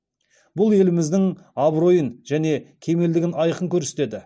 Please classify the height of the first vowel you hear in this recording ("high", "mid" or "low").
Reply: high